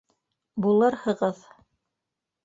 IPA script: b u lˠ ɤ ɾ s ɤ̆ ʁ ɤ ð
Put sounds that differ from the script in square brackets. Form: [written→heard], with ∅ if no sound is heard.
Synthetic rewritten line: b u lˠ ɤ ɾ [s→h] ɤ̆ ʁ ɤ ð

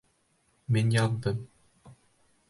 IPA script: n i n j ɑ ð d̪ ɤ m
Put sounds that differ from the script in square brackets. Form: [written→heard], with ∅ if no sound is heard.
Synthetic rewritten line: [n→m] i n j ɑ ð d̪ ɤ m

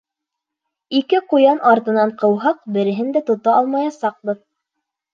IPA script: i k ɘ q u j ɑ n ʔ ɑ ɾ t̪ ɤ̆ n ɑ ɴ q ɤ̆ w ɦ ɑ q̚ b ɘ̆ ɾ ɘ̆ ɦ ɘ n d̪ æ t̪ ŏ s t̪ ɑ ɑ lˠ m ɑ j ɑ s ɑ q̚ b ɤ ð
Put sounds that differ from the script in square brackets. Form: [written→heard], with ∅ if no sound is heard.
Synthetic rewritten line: i k ɘ q u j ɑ n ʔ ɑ ɾ t̪ ɤ̆ n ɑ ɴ q ɤ̆ w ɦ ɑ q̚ b ɘ̆ ɾ ɘ̆ ɦ ɘ n d̪ æ t̪ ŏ [s→∅] t̪ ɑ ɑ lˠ m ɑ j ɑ s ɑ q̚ b ɤ ð

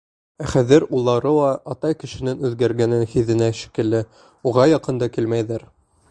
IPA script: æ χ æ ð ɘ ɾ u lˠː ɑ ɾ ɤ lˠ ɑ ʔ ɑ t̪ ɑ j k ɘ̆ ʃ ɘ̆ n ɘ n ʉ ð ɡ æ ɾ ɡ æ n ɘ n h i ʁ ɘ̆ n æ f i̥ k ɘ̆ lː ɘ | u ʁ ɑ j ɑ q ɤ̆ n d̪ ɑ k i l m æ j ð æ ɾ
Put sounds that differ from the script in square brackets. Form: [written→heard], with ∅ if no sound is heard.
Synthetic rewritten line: æ χ æ ð ɘ ɾ u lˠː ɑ ɾ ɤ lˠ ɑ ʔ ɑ t̪ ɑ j k ɘ̆ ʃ ɘ̆ n ɘ n ʉ ð ɡ æ ɾ ɡ æ n ɘ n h i [ʁ→ð] ɘ̆ n æ [f→ʃ] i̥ k ɘ̆ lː ɘ | u ʁ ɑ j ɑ q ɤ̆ n d̪ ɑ k i l m æ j ð æ ɾ

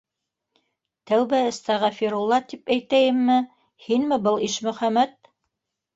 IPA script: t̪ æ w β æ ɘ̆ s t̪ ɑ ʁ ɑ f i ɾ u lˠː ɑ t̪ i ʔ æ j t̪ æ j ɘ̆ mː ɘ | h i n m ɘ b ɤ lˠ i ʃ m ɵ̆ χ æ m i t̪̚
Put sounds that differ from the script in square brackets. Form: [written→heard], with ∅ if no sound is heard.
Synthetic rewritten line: t̪ æ w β æ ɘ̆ s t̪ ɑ ʁ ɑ f i ɾ u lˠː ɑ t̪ i [ʔ→p] æ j t̪ æ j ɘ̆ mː ɘ | h i n m ɘ b ɤ lˠ i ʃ m ɵ̆ χ æ m [i→æ] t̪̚

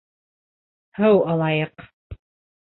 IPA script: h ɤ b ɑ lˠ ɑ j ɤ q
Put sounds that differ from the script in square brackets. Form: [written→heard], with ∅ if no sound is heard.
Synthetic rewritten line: h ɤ [b→w] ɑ lˠ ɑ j ɤ q

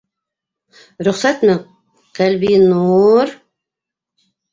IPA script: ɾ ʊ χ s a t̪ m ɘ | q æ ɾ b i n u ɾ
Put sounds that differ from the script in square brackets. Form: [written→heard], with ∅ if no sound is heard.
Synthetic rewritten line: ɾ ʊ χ s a t̪ m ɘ | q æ [ɾ→l] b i n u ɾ

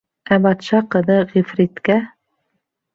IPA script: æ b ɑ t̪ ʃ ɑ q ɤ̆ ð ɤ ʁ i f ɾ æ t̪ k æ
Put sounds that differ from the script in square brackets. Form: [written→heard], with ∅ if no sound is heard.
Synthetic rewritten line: æ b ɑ t̪ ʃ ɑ q ɤ̆ ð ɤ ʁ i f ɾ [æ→i] t̪ k æ

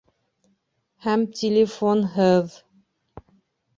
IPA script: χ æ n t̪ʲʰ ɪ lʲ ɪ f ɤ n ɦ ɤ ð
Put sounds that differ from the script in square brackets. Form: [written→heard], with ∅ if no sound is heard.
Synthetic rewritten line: [χ→h] æ [n→m] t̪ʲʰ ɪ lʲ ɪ f [ɤ→o] n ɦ ɤ ð

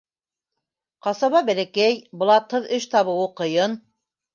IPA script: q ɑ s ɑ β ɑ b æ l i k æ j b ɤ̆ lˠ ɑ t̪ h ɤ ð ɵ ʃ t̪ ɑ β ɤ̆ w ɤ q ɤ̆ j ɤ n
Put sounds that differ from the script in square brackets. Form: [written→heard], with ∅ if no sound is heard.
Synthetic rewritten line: q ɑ s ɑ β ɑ b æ l [i→æ] k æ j b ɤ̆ lˠ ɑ t̪ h ɤ ð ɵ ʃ t̪ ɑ β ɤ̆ w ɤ q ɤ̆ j ɤ n

